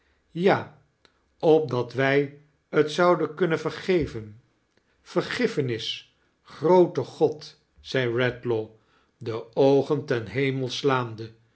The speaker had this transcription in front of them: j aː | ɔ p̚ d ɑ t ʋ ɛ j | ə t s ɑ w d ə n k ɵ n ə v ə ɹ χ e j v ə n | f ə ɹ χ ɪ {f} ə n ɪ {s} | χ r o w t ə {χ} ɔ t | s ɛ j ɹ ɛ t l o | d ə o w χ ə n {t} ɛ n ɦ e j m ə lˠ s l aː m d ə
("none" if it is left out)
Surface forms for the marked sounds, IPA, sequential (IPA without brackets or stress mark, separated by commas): f, s, χ, t